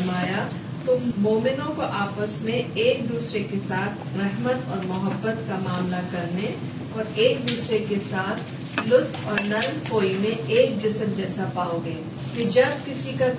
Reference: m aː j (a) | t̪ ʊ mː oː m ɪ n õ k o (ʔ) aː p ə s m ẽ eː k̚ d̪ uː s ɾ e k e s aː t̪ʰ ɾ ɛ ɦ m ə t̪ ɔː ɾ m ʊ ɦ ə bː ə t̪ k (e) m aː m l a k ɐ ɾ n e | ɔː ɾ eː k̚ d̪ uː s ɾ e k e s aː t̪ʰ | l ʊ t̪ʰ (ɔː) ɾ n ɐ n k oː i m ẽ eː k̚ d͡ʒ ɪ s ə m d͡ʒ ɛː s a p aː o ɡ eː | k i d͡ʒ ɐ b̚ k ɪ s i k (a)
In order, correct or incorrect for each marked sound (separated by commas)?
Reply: correct, correct, incorrect, correct, correct